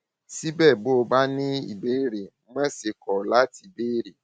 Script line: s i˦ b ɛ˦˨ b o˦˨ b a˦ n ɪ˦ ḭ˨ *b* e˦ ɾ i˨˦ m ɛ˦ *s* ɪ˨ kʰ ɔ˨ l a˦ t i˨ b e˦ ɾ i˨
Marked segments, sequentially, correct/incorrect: correct, correct

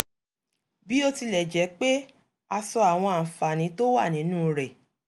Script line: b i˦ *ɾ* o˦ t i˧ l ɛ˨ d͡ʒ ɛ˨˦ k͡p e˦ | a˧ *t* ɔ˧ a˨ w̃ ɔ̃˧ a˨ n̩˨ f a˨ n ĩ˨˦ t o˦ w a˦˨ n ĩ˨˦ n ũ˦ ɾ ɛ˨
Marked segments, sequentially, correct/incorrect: incorrect, incorrect

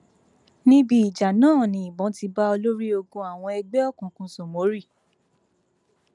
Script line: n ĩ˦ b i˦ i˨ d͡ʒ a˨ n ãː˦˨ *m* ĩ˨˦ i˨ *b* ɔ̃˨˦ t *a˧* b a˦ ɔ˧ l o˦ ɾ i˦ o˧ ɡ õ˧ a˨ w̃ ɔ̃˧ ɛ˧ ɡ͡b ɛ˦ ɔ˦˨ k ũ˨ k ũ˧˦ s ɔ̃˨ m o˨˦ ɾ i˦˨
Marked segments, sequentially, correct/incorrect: incorrect, correct, incorrect

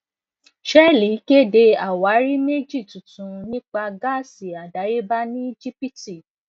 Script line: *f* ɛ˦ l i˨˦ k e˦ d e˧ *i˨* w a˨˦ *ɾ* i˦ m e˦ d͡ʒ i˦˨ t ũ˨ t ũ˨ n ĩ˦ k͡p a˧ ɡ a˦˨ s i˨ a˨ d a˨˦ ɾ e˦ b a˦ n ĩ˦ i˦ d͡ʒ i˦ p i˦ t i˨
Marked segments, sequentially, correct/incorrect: incorrect, incorrect, correct

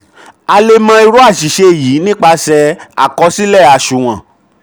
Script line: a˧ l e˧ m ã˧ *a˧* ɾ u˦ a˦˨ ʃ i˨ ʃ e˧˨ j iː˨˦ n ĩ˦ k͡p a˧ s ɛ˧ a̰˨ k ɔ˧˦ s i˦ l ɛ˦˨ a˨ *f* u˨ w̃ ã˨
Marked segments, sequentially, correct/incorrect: incorrect, incorrect

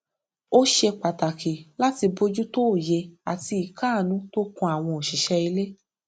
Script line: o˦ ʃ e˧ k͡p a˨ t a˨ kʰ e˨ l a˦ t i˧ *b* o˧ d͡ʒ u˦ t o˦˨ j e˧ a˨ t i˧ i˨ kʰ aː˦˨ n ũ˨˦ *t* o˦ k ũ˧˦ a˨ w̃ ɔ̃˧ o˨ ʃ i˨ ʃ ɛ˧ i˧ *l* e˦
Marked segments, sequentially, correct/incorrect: correct, correct, correct

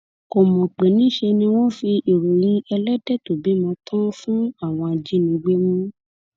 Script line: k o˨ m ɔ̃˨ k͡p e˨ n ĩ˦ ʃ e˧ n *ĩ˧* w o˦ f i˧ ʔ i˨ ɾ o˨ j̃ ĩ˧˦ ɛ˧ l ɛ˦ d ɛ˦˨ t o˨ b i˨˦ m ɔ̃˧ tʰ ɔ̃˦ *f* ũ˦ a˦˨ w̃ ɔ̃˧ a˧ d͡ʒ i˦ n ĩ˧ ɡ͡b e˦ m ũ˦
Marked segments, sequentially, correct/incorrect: correct, correct

